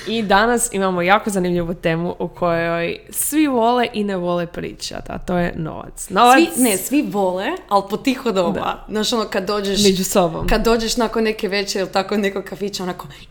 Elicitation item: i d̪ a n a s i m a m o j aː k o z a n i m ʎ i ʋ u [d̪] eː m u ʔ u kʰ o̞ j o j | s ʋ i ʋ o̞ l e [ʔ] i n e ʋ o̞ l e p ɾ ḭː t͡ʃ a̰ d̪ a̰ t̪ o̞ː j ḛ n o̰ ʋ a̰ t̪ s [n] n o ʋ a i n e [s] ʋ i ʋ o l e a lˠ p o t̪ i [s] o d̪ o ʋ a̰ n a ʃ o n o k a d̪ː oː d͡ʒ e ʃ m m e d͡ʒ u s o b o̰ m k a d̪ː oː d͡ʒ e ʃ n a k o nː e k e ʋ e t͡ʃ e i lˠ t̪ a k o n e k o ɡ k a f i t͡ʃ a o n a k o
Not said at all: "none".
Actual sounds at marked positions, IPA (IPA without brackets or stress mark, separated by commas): t̪, ʔ, n, s, x